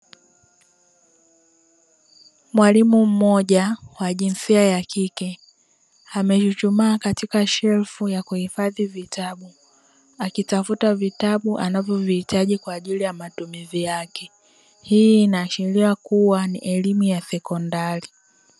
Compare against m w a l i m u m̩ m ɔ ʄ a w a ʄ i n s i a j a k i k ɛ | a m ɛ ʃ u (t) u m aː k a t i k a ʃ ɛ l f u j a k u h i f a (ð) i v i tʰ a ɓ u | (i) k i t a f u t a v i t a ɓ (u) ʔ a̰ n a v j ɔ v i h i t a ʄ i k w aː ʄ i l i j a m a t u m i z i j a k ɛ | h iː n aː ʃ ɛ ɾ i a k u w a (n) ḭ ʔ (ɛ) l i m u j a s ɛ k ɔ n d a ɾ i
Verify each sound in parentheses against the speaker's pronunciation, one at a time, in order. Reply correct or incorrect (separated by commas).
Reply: incorrect, correct, incorrect, correct, correct, correct